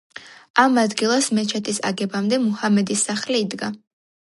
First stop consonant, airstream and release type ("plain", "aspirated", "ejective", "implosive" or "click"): plain